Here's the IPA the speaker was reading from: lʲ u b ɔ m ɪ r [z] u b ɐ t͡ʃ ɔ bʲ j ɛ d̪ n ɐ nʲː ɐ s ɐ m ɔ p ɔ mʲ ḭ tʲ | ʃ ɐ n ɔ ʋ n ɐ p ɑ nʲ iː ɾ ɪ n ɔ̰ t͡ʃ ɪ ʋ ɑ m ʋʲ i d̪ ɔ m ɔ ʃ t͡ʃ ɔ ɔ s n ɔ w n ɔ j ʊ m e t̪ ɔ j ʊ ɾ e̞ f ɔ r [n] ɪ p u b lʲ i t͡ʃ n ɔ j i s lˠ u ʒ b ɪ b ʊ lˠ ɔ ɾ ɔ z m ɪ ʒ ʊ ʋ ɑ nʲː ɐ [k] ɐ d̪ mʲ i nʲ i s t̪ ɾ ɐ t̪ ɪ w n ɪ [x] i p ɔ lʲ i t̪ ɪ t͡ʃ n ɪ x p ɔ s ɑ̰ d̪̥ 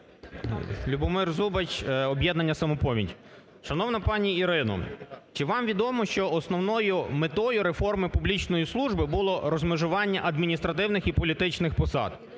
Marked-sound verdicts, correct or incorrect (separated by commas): correct, incorrect, incorrect, correct